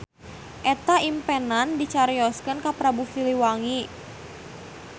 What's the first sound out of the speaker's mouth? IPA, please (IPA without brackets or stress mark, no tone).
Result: ʔ